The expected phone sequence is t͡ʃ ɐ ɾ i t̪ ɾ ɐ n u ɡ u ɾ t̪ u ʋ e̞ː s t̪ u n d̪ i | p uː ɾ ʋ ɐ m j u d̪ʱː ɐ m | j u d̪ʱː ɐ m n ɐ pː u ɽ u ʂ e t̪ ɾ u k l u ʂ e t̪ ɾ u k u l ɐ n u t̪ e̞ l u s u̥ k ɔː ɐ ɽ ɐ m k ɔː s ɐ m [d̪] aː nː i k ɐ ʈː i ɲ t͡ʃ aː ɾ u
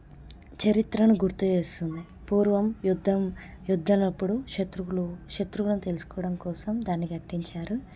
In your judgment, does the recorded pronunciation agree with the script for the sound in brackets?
yes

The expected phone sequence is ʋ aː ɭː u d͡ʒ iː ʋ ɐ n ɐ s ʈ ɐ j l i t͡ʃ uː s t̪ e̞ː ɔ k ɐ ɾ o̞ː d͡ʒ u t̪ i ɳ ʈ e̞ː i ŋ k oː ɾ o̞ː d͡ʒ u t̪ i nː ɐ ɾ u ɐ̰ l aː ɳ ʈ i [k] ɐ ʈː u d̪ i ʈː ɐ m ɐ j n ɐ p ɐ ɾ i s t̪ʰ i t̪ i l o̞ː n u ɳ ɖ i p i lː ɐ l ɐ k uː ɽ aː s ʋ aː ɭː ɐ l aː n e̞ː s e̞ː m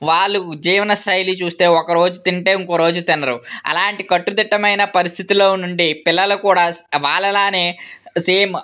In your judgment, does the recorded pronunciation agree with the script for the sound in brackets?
yes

